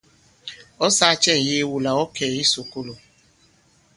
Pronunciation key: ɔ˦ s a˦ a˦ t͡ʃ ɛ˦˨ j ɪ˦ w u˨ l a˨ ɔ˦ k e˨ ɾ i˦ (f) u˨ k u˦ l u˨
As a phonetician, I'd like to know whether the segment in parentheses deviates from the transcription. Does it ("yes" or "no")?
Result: yes